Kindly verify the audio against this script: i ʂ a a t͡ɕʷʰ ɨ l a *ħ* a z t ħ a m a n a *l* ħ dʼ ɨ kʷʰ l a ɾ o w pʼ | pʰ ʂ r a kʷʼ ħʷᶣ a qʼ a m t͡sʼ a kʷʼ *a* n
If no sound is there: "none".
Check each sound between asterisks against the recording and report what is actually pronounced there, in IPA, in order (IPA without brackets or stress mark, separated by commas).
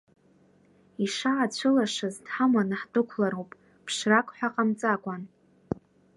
ʂ, none, a